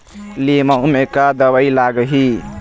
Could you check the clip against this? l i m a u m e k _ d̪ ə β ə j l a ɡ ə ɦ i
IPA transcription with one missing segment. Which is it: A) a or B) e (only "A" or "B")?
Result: A